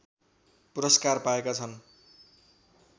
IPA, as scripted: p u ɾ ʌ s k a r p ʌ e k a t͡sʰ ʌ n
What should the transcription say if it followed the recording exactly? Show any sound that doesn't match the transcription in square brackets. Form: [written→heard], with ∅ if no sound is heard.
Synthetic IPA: p u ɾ ʌ s k a r p [ʌ→a] e k a t͡sʰ ʌ n